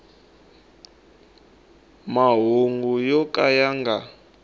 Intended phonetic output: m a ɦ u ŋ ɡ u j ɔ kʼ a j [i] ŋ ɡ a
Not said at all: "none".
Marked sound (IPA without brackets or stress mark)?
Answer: a